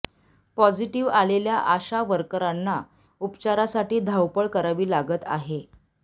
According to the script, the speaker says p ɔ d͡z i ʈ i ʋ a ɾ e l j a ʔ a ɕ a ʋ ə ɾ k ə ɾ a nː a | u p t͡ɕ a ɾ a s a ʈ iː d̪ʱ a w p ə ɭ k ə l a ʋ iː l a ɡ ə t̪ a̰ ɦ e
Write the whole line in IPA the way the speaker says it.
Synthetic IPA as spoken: p ɔ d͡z i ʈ i ʋ a l e l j a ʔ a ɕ a ʋ ə ɾ k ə ɾ a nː a | u p t͡ɕ a ɾ a s a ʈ iː d̪ʱ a w p ə ɭ k ə ɾ a ʋ iː l a ɡ ə t̪ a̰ ɦ e